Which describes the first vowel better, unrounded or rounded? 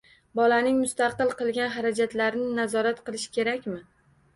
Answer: rounded